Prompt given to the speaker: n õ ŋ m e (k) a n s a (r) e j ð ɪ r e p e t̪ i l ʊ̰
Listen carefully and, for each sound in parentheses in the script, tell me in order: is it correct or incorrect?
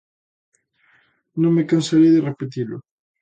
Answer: correct, incorrect

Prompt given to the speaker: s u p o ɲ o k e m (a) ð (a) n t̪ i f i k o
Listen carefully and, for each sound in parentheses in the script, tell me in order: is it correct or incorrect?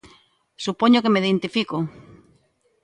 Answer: incorrect, incorrect

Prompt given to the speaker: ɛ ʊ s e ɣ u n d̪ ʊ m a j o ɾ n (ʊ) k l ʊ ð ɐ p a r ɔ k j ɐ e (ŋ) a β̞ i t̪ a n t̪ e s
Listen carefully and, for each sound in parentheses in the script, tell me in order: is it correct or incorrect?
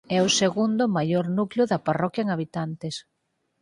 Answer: incorrect, correct

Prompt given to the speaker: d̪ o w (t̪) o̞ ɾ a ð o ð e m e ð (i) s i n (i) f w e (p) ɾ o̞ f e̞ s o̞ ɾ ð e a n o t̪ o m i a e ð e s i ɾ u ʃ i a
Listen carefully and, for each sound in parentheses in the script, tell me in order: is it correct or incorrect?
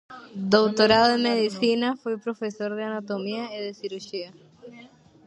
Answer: correct, correct, incorrect, correct

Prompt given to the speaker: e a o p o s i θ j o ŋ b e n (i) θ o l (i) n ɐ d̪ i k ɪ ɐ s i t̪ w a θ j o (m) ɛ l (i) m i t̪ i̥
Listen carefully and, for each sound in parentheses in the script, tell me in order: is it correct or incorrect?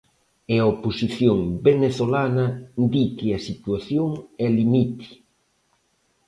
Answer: incorrect, incorrect, incorrect, correct

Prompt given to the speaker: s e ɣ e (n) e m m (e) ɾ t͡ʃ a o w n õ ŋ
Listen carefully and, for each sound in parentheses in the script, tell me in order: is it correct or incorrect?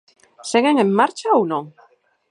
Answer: incorrect, incorrect

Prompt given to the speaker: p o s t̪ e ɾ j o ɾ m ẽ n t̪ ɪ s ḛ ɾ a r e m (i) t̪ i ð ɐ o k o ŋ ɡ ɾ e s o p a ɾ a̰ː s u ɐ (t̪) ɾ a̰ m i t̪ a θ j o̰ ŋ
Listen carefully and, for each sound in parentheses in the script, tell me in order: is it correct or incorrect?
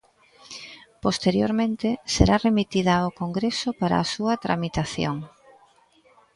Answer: correct, correct

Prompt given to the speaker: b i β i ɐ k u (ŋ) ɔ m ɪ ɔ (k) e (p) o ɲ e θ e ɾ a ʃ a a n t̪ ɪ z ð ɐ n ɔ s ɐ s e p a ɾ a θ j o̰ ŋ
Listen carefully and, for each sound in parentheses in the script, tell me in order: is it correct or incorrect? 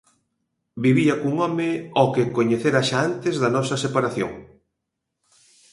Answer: correct, correct, incorrect

